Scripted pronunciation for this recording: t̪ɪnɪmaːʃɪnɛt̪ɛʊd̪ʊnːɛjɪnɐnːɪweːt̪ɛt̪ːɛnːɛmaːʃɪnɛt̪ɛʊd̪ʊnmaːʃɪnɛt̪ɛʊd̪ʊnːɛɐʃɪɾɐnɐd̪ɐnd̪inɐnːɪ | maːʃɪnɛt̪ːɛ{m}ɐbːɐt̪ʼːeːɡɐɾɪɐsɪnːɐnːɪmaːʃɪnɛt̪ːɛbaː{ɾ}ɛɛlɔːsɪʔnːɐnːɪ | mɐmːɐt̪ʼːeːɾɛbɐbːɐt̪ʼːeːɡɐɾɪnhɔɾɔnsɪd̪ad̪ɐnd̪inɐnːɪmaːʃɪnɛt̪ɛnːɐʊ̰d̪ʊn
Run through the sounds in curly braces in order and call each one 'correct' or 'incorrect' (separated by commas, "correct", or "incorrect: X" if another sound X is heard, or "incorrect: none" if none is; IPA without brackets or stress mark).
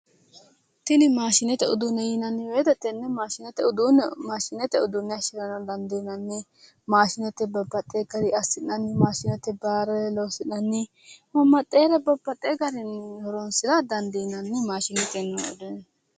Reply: incorrect: b, correct